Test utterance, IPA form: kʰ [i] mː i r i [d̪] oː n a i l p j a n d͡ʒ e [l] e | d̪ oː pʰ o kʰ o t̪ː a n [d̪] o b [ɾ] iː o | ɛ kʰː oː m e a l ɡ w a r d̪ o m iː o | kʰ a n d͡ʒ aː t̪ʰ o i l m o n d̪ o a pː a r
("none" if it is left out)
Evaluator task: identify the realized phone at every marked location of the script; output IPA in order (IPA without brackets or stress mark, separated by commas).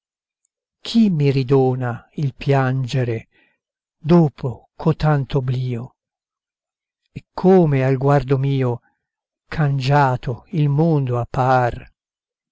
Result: i, d̪, ɾ, t̪, l